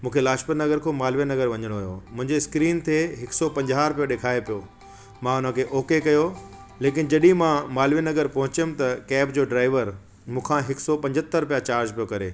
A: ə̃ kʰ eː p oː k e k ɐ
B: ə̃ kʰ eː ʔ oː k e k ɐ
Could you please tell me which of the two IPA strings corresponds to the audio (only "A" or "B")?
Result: B